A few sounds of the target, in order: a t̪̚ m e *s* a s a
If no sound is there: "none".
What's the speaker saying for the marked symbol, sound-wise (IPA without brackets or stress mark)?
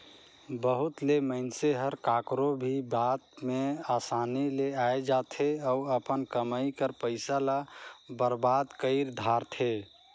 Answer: none